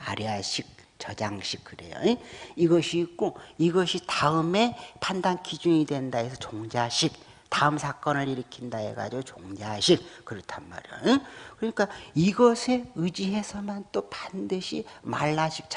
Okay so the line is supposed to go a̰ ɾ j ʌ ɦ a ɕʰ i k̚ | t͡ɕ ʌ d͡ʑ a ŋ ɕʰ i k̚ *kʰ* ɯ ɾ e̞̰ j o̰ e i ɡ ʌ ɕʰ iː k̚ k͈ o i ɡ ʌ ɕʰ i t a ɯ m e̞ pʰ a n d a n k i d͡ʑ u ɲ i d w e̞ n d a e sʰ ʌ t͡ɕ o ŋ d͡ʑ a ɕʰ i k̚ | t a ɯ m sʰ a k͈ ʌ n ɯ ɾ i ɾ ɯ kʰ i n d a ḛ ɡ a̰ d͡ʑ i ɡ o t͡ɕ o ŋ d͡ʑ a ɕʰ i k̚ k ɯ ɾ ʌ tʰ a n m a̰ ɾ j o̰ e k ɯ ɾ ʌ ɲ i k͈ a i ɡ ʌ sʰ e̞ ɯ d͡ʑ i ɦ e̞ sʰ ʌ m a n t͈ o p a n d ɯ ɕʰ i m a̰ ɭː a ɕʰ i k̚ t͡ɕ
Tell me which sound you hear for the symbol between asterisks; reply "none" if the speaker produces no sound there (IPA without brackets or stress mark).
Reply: k